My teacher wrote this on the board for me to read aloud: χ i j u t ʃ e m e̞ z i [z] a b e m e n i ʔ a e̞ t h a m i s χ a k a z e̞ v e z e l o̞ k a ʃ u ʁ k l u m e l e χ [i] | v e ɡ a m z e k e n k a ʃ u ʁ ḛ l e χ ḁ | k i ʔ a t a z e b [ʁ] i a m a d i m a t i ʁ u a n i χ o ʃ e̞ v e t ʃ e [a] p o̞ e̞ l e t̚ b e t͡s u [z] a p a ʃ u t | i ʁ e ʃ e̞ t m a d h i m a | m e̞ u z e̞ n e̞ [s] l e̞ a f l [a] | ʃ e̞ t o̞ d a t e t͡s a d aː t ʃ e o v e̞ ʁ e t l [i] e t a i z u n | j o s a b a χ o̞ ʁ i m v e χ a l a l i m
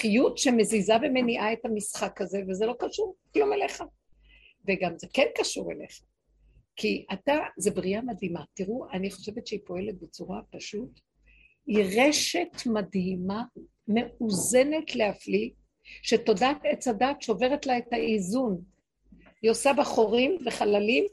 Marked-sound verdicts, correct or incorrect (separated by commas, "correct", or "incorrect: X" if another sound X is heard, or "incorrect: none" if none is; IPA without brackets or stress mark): correct, incorrect: a, correct, incorrect: i, incorrect: ʁ, incorrect: t, incorrect: i, incorrect: a